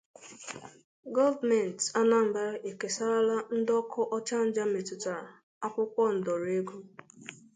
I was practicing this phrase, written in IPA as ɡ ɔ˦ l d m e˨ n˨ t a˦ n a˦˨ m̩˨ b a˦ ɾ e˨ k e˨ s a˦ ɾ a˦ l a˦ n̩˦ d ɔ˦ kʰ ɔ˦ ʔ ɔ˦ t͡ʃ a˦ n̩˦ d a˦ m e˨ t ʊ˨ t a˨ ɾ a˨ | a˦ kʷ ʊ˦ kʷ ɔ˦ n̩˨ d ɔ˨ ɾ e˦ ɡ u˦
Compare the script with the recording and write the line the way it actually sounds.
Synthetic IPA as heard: ɡ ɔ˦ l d m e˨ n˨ t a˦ n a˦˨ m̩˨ b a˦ ɾ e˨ k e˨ s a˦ ɾ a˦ l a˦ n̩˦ d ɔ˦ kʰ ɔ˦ ʔ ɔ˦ t͡ʃ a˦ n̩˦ d͡ʒ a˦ m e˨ t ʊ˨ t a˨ ɾ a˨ | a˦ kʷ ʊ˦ kʷ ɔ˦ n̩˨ d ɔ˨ ɾ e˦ ɡ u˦